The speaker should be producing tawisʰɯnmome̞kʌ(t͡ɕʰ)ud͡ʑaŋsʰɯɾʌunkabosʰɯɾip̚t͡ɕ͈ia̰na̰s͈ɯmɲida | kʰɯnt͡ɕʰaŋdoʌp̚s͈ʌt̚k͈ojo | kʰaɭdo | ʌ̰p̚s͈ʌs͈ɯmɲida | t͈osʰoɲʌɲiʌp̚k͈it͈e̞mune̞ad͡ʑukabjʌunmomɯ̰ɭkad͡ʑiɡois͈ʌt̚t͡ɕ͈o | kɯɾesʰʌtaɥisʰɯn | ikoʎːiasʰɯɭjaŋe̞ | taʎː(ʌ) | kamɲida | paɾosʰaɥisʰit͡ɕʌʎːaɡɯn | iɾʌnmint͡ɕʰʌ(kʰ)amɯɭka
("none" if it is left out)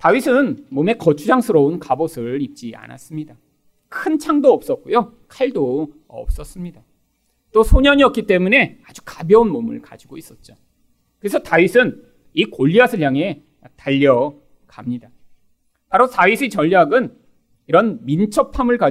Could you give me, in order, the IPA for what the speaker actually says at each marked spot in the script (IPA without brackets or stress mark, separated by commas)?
t͡ɕʰ, ʌ, pʰ